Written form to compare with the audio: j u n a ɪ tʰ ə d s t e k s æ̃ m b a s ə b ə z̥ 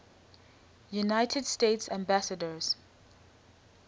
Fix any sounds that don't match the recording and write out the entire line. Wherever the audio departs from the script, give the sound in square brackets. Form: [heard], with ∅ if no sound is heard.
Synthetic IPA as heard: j u n a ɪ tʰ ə d s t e [t] s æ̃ m b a s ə [d] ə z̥